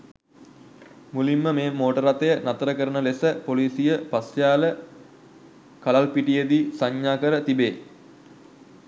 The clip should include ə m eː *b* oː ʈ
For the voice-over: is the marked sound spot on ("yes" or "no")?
no